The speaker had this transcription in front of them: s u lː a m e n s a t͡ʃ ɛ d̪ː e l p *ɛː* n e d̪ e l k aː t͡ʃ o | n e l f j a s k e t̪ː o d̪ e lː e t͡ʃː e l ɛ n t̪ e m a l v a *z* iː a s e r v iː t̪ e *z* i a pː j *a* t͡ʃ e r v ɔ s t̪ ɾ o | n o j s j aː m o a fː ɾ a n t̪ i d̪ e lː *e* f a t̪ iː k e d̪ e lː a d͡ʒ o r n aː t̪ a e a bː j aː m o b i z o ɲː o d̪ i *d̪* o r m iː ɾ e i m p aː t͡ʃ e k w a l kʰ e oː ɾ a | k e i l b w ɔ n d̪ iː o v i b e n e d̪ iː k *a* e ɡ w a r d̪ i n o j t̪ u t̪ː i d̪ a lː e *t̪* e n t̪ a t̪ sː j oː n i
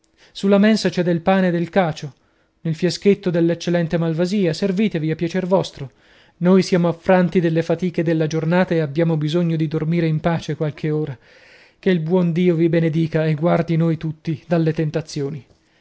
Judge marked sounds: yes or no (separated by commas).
no, yes, no, yes, yes, yes, yes, yes